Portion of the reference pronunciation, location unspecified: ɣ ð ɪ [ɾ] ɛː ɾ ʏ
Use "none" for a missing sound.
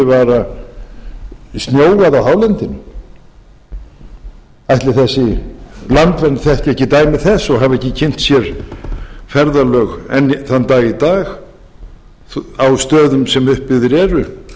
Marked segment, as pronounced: ɾ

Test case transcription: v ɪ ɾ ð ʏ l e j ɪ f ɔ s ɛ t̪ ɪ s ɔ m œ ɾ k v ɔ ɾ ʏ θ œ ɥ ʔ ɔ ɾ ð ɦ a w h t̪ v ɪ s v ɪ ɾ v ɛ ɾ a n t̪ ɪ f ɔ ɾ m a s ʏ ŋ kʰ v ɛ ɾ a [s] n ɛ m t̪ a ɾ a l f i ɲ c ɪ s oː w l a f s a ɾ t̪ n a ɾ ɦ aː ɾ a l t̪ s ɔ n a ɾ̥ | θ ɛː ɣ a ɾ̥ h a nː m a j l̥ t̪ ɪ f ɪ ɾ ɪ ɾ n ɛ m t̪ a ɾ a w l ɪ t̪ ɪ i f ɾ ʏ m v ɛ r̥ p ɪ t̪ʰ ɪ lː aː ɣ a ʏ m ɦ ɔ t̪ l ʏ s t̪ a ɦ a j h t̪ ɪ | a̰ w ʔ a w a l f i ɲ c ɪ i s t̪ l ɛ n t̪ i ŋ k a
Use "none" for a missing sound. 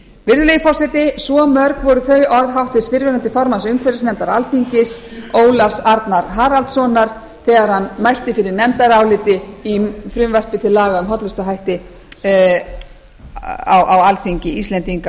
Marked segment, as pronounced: s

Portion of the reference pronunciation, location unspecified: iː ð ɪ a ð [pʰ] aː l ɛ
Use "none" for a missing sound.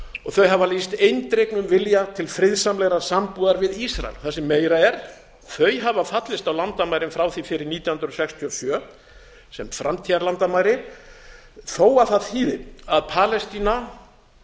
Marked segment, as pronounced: pʰ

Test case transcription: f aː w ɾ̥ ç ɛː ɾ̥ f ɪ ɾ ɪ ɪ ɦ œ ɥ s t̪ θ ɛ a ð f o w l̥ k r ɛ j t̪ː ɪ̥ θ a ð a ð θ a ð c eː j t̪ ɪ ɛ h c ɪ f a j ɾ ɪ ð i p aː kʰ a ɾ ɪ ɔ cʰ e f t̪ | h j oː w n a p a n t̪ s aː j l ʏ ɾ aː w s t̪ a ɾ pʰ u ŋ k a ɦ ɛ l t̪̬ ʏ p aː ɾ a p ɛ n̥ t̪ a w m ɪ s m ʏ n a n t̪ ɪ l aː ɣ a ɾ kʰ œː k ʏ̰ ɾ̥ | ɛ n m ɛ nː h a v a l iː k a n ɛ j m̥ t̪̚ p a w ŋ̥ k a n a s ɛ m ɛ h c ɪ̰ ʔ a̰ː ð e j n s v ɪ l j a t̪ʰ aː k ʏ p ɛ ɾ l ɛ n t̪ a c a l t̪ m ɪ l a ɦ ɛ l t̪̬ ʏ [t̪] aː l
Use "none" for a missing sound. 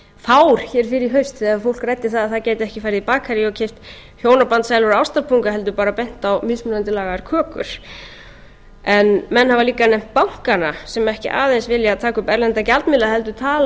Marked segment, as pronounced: t̪ʰ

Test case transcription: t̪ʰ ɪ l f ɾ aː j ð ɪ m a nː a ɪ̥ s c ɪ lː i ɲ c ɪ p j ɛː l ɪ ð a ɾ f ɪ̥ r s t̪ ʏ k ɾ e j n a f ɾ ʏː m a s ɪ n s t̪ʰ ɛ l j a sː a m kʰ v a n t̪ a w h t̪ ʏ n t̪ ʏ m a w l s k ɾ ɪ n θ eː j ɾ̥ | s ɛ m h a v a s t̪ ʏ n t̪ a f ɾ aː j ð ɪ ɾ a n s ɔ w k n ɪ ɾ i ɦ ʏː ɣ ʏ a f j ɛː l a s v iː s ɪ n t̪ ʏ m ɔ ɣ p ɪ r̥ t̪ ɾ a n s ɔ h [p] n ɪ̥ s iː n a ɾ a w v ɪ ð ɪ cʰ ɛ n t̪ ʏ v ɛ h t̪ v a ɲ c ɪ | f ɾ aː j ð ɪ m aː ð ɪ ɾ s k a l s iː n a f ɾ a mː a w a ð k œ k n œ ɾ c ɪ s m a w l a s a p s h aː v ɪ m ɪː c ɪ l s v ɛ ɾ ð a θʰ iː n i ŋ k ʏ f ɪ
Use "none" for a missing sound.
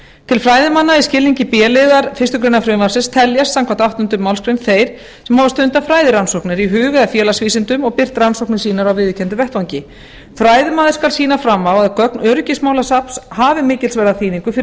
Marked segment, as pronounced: k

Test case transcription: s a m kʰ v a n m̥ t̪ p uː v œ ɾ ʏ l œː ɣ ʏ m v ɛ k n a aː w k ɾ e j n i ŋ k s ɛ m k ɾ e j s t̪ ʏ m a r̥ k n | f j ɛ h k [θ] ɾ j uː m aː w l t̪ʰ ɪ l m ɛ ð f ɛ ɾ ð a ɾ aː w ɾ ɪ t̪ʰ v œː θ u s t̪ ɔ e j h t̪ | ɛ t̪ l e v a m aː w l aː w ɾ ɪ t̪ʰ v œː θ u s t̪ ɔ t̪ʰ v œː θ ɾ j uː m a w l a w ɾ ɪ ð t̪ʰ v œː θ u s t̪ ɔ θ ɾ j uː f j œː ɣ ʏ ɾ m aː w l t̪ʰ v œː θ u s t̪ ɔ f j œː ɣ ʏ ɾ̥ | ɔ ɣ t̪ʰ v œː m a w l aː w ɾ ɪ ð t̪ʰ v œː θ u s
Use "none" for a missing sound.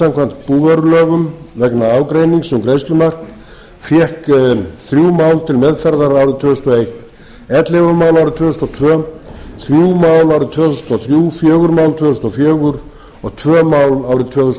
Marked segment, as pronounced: θ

